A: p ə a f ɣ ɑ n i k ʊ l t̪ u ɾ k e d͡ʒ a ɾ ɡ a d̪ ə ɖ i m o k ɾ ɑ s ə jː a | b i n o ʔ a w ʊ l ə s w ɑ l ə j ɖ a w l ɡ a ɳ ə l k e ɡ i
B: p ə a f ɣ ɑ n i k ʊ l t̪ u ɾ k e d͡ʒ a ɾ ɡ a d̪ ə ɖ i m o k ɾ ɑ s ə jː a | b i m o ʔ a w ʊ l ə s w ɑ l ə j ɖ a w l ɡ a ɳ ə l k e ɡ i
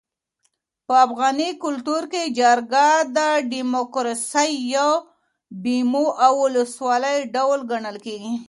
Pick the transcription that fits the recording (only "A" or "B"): B